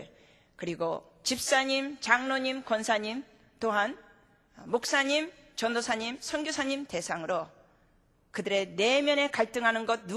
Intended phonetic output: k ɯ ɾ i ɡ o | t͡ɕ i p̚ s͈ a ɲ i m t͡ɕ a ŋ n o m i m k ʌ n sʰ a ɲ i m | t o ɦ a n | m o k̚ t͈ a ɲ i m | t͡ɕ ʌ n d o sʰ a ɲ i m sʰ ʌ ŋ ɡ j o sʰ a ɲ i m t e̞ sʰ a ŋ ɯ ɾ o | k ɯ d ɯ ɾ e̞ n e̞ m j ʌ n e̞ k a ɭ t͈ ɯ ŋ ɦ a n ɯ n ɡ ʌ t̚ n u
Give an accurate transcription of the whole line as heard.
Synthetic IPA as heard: k ɯ ɾ i ɡ o | t͡ɕ i p̚ s͈ a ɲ i m t͡ɕ a ŋ n o ɲ i m k ʌ n sʰ a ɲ i m | t o ɦ a n | m o k̚ s͈ a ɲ i m | t͡ɕ ʌ n d o sʰ a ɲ i m sʰ ʌ ŋ ɡ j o sʰ a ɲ i m t e̞ sʰ a ŋ ɯ ɾ o | k ɯ d ɯ ɾ e̞ n e̞ m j ʌ n e̞ k a ɭ t͈ ɯ ŋ ɦ a n ɯ n ɡ ʌ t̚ n u